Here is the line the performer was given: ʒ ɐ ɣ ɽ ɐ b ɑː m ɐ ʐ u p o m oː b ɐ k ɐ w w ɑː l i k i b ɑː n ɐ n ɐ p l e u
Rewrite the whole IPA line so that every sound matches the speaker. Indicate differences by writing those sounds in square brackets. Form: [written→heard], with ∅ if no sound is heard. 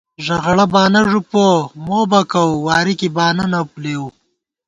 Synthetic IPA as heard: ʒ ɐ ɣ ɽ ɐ b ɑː [m→n] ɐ ʐ u p o m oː b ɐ k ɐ w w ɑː [l→ɾ] i k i b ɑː n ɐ n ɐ p l e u